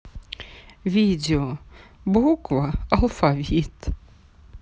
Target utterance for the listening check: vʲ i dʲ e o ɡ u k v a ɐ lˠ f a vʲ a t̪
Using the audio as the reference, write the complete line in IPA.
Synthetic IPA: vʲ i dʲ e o b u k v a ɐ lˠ f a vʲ i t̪